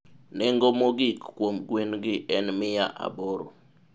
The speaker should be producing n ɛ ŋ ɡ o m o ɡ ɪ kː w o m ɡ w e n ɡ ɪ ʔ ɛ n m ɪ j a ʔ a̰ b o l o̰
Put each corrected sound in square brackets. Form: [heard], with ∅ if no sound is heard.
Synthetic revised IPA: n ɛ ŋ ɡ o m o ɡ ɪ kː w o m ɡ w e n ɡ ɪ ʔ ɛ n m ɪ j a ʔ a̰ b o [ɾ] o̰